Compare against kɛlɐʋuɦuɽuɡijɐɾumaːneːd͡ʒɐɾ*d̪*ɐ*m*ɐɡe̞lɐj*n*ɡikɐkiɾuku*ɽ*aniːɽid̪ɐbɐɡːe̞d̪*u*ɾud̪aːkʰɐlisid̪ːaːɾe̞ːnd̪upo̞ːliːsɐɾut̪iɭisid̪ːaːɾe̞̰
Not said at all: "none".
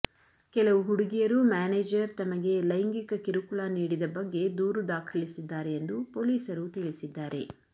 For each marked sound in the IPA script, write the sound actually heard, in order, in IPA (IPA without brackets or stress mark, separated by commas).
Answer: t̪, m, ŋ, ɭ, uː